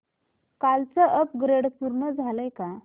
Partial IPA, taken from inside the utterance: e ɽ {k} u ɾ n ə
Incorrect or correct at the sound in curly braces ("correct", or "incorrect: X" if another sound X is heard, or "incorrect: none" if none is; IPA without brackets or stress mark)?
incorrect: p